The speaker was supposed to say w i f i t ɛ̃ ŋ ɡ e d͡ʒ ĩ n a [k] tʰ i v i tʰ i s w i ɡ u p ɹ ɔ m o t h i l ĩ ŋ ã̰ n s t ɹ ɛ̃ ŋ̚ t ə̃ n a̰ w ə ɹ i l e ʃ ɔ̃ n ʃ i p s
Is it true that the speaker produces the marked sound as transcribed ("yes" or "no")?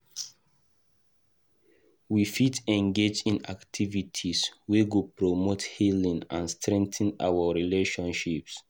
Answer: yes